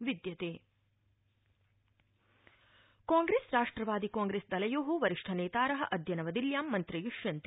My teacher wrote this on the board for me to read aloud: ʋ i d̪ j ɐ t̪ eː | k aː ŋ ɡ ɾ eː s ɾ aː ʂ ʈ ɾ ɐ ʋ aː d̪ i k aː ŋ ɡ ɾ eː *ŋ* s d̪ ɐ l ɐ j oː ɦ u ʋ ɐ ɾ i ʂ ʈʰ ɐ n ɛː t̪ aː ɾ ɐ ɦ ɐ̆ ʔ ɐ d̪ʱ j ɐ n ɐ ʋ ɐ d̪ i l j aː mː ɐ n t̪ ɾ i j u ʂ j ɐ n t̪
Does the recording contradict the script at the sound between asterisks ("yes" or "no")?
yes